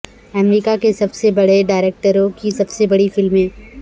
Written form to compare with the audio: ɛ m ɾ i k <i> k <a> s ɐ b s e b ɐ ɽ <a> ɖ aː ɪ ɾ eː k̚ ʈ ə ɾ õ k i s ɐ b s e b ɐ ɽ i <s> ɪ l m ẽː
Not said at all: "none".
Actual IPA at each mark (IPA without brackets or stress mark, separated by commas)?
a, e, e, f